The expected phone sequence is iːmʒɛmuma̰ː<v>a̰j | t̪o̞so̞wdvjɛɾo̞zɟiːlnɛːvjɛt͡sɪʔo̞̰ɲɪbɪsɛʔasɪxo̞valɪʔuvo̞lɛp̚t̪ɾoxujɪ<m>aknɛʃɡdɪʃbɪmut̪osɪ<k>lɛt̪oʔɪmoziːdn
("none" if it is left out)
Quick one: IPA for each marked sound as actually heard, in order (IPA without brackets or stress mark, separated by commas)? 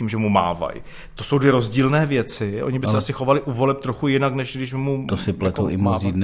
v, n, p